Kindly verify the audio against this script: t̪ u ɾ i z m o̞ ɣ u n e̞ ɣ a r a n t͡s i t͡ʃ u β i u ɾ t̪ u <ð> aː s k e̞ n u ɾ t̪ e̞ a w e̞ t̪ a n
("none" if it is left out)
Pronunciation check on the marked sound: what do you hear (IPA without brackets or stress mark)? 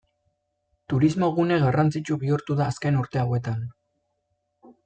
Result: ð